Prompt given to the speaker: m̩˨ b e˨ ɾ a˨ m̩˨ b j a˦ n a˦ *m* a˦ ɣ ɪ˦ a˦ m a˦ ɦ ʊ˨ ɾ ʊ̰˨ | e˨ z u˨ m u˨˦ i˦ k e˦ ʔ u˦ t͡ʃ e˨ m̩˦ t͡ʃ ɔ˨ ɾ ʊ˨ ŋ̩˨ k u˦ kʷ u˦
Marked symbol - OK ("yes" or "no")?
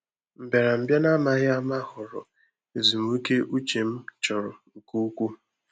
yes